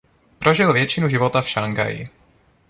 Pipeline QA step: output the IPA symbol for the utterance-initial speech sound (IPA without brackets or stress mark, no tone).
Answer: p